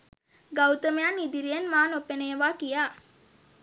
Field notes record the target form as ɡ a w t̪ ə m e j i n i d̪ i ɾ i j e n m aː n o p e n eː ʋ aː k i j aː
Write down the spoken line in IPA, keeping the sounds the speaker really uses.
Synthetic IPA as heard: ɡ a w t̪ ə m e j a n i d̪ i ɾ i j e n m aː n o p e n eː ʋ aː k i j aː